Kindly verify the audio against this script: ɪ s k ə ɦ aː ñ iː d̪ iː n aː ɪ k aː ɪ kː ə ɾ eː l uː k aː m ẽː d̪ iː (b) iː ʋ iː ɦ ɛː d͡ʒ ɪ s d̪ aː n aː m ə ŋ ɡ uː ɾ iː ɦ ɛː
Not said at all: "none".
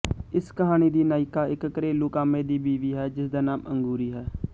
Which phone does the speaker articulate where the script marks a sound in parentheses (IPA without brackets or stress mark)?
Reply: b